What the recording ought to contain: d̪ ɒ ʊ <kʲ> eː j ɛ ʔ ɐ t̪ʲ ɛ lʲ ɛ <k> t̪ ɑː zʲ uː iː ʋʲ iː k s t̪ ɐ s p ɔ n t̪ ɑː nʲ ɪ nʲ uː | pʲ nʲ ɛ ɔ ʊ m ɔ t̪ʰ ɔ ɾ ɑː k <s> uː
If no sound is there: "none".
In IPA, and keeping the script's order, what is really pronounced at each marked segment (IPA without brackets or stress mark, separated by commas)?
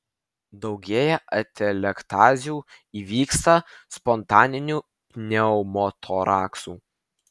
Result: ɡʲ, k, s